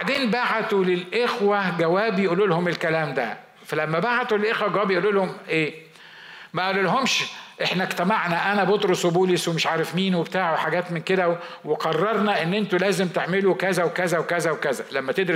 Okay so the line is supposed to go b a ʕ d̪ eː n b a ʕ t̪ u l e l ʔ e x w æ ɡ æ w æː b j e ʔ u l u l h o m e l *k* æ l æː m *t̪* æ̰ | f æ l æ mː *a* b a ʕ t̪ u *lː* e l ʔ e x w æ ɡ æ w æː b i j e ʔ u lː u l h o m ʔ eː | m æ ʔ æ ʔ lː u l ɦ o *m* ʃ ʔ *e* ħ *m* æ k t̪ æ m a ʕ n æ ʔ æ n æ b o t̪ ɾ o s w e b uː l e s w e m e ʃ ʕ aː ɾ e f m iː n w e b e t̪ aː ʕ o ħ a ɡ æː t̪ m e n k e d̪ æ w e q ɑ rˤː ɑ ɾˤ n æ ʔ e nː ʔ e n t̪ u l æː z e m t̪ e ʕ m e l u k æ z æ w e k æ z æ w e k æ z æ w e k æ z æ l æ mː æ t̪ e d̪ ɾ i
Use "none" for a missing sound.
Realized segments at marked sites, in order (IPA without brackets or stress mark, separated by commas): k, d̪, æ, l, m, e, n